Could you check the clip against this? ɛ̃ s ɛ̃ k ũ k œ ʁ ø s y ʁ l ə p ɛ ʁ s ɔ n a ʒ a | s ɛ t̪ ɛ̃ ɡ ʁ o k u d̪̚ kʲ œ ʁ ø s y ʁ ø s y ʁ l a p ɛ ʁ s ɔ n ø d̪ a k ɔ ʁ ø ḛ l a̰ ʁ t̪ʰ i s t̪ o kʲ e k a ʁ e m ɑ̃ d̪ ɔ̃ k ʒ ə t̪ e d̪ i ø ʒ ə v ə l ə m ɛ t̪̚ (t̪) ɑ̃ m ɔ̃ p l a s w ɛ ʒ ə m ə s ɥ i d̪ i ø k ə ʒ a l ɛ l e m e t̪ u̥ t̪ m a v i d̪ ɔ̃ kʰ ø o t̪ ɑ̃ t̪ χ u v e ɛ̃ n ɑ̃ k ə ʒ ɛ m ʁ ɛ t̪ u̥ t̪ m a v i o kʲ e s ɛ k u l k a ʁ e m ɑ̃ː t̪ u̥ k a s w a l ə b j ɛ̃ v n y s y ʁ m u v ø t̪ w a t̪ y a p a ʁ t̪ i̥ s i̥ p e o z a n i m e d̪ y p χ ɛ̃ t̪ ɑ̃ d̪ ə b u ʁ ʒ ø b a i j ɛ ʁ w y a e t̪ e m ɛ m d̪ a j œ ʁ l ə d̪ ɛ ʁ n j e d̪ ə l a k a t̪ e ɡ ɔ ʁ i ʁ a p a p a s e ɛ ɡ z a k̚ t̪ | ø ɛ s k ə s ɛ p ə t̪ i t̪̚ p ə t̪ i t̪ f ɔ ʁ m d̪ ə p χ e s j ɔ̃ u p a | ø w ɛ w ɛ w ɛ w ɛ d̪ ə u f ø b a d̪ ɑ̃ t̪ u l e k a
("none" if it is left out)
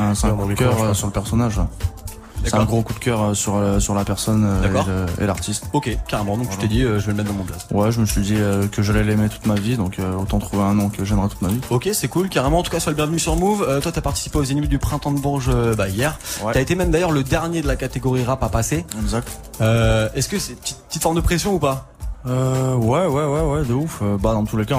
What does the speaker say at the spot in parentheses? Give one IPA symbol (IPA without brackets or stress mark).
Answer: d̪